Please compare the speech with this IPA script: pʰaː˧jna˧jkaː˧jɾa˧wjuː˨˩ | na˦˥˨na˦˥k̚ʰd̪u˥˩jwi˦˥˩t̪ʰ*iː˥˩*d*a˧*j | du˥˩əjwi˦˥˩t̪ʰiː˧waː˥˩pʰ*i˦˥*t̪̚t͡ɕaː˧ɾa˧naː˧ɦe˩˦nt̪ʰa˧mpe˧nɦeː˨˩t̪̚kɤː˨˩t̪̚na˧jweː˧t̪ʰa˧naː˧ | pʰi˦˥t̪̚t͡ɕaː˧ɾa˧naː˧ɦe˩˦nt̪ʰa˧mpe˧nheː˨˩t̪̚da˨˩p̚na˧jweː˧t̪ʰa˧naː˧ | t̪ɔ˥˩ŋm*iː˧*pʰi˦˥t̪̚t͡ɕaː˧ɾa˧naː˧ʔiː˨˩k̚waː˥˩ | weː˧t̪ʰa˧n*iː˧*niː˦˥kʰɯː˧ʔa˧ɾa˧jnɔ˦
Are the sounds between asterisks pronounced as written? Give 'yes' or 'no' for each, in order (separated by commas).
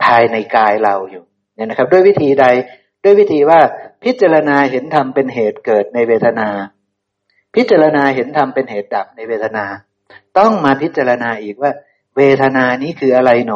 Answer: no, yes, yes, no, no